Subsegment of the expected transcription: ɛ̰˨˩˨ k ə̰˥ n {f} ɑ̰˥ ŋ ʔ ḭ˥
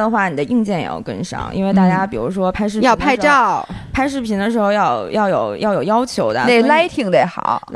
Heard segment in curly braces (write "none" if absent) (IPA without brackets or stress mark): ʂ